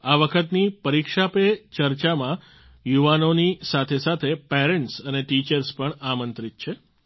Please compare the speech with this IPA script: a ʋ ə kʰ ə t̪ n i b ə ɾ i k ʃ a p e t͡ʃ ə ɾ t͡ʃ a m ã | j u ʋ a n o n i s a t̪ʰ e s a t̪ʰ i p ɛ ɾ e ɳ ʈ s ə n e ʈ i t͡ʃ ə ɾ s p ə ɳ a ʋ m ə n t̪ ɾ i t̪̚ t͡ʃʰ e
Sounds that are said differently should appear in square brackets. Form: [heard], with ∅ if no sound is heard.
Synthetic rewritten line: a ʋ ə kʰ ə t̪ n i [p] ə ɾ i k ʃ a p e t͡ʃ ə ɾ t͡ʃ a m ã | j u ʋ a n o n i s a t̪ʰ e s a t̪ʰ [e] p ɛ ɾ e ɳ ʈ s ə n e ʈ i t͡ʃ ə ɾ s p ə ɳ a [∅] m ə n t̪ ɾ i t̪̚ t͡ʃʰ e

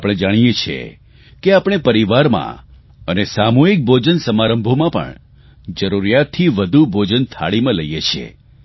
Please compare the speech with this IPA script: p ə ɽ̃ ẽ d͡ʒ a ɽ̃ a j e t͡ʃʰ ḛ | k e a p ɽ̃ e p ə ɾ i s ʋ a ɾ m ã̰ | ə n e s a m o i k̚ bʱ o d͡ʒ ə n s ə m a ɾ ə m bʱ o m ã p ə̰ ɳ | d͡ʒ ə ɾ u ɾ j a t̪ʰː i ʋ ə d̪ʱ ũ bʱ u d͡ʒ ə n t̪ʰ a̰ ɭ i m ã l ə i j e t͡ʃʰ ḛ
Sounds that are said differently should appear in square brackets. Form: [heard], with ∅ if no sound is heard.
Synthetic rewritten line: p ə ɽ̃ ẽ d͡ʒ a ɽ̃ [i] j e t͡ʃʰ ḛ | k e a p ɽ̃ e p ə ɾ i [∅] ʋ a ɾ m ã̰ | ə n e s a m o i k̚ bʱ o d͡ʒ ə n s ə m a ɾ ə m bʱ o m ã p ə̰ ɳ | d͡ʒ ə ɾ u ɾ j a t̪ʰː i ʋ ə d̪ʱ [u] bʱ [o] d͡ʒ ə n t̪ʰ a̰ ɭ i m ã l ə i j e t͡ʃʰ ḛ

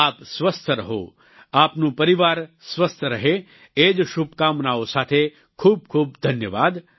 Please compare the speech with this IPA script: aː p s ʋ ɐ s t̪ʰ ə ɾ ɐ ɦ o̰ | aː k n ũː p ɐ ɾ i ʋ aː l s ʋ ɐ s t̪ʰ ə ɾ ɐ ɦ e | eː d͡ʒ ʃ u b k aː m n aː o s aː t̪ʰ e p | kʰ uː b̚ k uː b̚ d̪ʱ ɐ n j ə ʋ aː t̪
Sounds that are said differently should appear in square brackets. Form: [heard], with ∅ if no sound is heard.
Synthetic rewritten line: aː p s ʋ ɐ s t̪ʰ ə ɾ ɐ ɦ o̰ | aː [p] n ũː p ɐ ɾ i ʋ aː [ɾ] s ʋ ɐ s t̪ʰ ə ɾ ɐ ɦ e | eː d͡ʒ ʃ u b k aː m n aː o s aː t̪ʰ e [∅] | kʰ uː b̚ [kʰ] uː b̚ d̪ʱ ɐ n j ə ʋ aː [d̪]

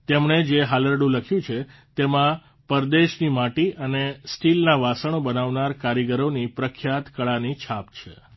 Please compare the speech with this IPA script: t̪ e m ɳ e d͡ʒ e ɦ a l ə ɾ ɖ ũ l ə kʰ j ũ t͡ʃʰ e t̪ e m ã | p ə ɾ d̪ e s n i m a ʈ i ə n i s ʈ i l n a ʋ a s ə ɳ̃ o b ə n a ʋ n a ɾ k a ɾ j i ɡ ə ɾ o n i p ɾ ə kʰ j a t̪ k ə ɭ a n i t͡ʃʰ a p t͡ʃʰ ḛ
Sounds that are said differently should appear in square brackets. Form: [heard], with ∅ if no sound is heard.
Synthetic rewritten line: t̪ e m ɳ e d͡ʒ e ɦ a l ə ɾ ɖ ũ l ə kʰ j ũ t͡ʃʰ e t̪ e m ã | p ə ɾ d̪ e [ʃ] n i m a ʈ i ə n [e] s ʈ i l n a ʋ a s ə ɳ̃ o b ə n a ʋ n a ɾ k a ɾ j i ɡ ə ɾ o n i p ɾ ə kʰ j a t̪ k ə ɭ a n i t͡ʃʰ a p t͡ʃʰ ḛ

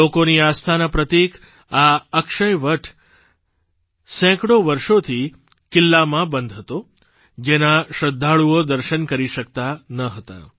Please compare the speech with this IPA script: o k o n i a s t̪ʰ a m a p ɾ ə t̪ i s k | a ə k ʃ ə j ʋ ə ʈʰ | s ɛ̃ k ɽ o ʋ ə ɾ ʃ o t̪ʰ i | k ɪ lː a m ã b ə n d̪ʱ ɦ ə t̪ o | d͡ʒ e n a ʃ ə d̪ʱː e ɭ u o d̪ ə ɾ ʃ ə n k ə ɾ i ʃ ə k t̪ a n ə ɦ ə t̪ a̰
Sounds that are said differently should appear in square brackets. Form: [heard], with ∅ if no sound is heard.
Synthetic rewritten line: o k o n i a s t̪ʰ a [n] a p ɾ ə t̪ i [∅] k | a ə k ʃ ə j ʋ ə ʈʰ | s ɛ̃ k ɽ o ʋ ə ɾ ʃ o t̪ʰ i | k ɪ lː a m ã b ə n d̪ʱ ɦ ə t̪ o | d͡ʒ e n a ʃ ə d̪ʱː [a] ɭ u o d̪ ə ɾ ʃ ə n k ə ɾ i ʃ ə k t̪ a n ə ɦ ə t̪ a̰

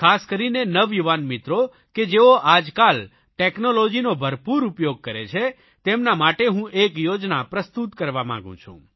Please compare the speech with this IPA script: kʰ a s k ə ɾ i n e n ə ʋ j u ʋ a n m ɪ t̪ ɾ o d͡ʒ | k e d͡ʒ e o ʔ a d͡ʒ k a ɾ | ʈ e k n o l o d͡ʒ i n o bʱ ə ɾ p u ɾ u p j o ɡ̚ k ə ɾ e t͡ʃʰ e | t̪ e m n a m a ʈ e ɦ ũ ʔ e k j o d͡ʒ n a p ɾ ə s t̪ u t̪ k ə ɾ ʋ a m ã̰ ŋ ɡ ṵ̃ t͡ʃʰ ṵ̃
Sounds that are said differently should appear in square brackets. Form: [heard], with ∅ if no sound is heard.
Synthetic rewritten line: kʰ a s k ə ɾ i n e n ə ʋ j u ʋ a n m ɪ t̪ ɾ o [∅] | k e d͡ʒ e o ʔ a d͡ʒ k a [l] | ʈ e k n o l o d͡ʒ i n o bʱ ə ɾ p u ɾ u p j o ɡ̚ k ə ɾ e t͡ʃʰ e | t̪ e m n a m a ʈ e ɦ ũ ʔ e k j o d͡ʒ n a p ɾ ə s t̪ u t̪ k ə ɾ ʋ a m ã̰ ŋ ɡ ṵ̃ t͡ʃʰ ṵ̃

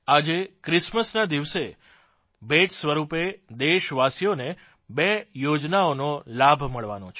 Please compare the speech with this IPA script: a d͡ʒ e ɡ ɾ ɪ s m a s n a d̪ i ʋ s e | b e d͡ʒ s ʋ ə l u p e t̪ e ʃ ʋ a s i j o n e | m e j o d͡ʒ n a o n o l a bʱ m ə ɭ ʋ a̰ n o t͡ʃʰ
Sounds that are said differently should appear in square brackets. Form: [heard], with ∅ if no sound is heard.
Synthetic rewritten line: a d͡ʒ e [k] ɾ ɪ s m [ə] s n a d̪ i ʋ s e | b e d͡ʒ s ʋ ə [ɾ] u p e [d̪] e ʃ ʋ a s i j o n e | [b] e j o d͡ʒ n a o n o l a bʱ m ə ɭ ʋ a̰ n o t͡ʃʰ

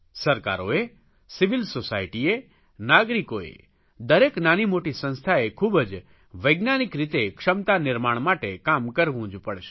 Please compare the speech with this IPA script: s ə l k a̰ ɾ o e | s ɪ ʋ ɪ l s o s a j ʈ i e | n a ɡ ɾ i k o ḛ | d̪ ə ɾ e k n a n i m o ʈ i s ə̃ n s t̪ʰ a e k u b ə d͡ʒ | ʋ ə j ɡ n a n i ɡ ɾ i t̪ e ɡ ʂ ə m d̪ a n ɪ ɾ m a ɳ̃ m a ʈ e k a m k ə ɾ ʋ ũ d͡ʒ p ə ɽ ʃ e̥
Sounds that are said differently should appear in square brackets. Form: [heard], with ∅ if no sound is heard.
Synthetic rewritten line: s ə [ɾ] k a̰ ɾ o e | s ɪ ʋ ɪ l s o s a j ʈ i e | n a ɡ ɾ i k o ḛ | d̪ ə ɾ e k n a n i m o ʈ i s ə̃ n s t̪ʰ a e [kʰ] u b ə d͡ʒ | ʋ ə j ɡ n a n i [k] ɾ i t̪ e [k] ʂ ə m [t̪] a n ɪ ɾ m a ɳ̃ m a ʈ e k a m k ə ɾ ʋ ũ d͡ʒ p ə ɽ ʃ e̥

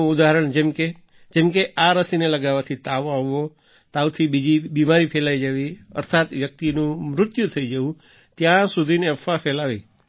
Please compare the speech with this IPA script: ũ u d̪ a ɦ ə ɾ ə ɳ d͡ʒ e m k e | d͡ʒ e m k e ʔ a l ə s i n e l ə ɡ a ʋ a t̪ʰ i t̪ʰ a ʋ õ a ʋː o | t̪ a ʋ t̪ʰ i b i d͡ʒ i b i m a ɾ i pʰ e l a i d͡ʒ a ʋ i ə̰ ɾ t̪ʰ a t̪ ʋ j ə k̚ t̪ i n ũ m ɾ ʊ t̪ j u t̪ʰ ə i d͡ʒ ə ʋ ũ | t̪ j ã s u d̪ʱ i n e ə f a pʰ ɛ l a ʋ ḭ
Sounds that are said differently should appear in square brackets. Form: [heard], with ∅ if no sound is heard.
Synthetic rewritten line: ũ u d̪ a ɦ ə ɾ ə ɳ d͡ʒ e m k e | d͡ʒ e m k e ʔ a [ɾ] ə s i n e l ə ɡ a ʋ a t̪ʰ i [t̪] a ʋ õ a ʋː o | t̪ a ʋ t̪ʰ i b i d͡ʒ i b i m a ɾ i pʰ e l a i d͡ʒ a ʋ i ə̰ ɾ t̪ʰ a t̪ ʋ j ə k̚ t̪ i n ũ m ɾ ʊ t̪ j u t̪ʰ ə i d͡ʒ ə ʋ ũ | t̪ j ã s u d̪ʱ i n e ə f a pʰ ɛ l a ʋ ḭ

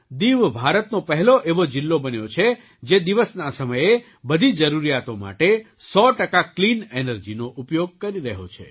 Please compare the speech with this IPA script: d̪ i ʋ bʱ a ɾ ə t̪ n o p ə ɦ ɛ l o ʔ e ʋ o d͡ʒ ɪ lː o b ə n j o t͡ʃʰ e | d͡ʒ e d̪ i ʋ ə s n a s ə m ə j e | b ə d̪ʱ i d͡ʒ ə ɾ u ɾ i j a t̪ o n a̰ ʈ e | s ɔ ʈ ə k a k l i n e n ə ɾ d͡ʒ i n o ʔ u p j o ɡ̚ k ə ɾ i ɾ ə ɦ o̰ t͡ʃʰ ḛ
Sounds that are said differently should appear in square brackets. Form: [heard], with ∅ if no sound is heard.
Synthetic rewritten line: d̪ i ʋ bʱ a ɾ ə t̪ n o p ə ɦ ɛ l o ʔ e ʋ o d͡ʒ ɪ lː o b ə n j o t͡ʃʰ e | d͡ʒ e d̪ i ʋ ə s n a s ə m ə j e | b ə d̪ʱ i d͡ʒ ə ɾ u ɾ i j a t̪ o [m] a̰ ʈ e | s ɔ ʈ ə k a k l i n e n ə ɾ d͡ʒ i n o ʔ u p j o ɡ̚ k ə ɾ i ɾ ə ɦ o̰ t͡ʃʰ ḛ

